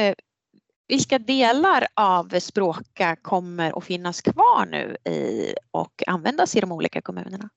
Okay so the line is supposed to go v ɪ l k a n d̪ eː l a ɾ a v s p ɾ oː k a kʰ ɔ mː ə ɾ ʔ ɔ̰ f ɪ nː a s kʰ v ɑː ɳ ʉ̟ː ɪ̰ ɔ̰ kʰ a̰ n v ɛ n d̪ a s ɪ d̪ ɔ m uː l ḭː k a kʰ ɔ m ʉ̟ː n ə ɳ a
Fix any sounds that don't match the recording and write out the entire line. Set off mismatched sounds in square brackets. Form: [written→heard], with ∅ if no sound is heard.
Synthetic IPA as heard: v ɪ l k a [n→∅] d̪ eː l a ɾ a v s p ɾ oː k a kʰ ɔ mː ə ɾ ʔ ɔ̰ f ɪ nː a s kʰ v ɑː ɳ ʉ̟ː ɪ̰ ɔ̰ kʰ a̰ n v ɛ n d̪ a s ɪ d̪ ɔ m uː l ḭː k a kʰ ɔ m ʉ̟ː n ə ɳ a